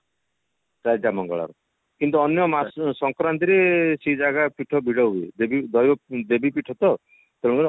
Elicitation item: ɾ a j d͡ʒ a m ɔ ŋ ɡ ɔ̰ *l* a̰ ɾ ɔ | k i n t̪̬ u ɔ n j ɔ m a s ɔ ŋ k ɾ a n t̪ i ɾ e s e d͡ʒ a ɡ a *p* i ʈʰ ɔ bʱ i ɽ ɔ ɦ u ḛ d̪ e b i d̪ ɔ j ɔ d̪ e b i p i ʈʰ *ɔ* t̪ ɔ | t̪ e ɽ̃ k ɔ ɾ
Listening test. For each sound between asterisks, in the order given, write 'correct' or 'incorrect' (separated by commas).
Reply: incorrect, correct, correct